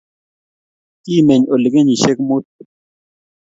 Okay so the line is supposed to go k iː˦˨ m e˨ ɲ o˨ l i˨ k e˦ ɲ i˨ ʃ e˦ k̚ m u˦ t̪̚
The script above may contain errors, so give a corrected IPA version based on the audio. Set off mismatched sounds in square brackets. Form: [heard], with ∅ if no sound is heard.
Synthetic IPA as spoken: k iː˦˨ m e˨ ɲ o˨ l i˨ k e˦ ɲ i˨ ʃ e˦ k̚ m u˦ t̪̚